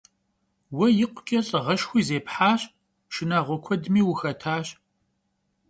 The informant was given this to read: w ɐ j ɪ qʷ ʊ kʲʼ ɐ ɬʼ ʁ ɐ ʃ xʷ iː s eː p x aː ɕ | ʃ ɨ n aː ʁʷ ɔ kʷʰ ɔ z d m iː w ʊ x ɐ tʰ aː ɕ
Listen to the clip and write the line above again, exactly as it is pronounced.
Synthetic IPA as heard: w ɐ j ɪ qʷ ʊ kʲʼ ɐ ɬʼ ʁ ɐ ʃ xʷ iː z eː p ħ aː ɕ | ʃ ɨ n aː ʁʷ ɔ kʷʰ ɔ d m iː w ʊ x ɐ tʰ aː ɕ